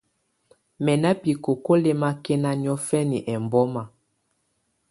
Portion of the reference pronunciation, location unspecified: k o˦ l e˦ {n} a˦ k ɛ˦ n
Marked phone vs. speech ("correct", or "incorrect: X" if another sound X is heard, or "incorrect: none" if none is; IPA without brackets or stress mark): incorrect: m